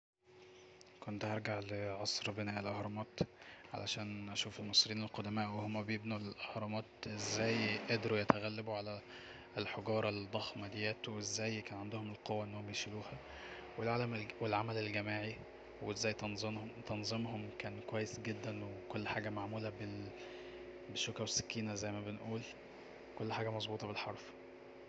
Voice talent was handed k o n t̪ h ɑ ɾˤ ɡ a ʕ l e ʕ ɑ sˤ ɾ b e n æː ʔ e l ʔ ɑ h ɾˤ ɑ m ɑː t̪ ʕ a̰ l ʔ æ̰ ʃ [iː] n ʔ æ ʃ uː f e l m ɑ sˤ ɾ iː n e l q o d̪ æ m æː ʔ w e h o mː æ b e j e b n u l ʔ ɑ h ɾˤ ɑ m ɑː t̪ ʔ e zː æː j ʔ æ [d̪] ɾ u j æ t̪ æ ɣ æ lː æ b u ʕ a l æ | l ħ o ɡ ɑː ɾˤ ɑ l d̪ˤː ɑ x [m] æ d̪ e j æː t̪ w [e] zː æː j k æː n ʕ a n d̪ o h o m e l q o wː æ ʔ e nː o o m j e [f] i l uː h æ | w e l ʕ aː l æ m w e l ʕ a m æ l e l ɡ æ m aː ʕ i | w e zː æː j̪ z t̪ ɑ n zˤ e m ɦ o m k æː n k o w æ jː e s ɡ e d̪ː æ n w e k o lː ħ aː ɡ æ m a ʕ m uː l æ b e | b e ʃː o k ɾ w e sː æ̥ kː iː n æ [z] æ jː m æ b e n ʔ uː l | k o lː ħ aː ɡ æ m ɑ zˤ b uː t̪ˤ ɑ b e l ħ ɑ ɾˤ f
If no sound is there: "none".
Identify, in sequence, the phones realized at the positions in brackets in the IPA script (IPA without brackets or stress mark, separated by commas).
æː, d̪, m, e, ʃ, z